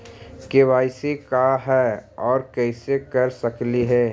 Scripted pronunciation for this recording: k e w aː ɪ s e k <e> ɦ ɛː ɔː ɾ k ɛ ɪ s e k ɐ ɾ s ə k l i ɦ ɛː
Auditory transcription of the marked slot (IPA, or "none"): a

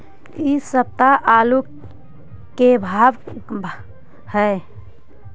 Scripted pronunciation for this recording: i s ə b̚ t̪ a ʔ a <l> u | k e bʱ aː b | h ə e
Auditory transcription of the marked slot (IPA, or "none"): l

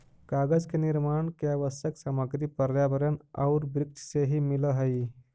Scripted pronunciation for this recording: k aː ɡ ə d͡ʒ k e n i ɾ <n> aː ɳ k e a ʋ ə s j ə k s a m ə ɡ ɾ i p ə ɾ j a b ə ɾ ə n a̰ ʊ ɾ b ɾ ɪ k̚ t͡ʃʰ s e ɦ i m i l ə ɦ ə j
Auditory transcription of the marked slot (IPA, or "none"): m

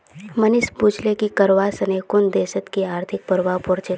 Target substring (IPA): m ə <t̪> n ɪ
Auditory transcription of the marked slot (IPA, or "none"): none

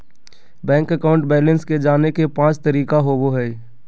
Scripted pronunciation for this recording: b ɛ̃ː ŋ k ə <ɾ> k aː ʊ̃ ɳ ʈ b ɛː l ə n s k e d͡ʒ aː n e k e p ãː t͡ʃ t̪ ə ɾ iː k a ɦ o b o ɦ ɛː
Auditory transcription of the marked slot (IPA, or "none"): none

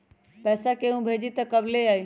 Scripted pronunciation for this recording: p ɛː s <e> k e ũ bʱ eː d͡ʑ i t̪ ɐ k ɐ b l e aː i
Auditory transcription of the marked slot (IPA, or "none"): a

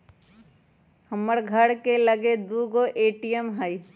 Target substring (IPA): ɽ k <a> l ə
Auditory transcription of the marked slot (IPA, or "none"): e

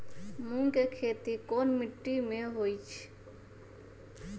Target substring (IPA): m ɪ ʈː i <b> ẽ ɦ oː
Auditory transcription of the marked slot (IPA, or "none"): m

